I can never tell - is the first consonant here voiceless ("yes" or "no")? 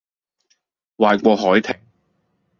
no